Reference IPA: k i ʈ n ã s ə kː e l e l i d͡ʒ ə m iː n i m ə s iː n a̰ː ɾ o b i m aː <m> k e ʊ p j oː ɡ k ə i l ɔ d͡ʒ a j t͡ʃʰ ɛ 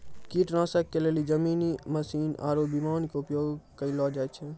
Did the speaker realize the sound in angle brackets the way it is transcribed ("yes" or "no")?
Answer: no